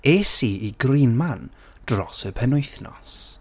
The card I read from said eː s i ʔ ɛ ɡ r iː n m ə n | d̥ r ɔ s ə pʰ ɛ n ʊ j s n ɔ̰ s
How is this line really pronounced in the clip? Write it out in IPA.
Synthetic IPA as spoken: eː s i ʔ i ɡ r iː n m a n | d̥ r ɔ s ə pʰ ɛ n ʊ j θ n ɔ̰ s